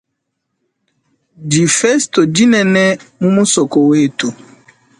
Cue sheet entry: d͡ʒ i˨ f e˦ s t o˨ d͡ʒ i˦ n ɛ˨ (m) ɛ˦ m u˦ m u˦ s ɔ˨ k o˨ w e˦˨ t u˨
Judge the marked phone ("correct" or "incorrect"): incorrect